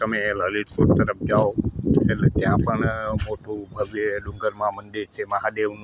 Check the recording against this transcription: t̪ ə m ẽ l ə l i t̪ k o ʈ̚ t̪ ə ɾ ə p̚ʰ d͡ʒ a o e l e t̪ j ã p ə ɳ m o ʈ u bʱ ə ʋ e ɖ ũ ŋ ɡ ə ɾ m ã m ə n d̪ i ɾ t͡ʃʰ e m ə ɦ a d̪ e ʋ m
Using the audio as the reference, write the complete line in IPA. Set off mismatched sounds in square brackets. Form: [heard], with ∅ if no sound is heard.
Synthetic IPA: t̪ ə m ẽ l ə l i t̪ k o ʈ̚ t̪ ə ɾ ə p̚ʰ d͡ʒ a o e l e t̪ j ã p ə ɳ m o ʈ u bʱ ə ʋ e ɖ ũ ŋ ɡ ə ɾ m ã m ə n d̪ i ɾ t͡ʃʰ e m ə ɦ a d̪ e ʋ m